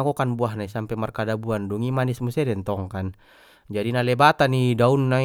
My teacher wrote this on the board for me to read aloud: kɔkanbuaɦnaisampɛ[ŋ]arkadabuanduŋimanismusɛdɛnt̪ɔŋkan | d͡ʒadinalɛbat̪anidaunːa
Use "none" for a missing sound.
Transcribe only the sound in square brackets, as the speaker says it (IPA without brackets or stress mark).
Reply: m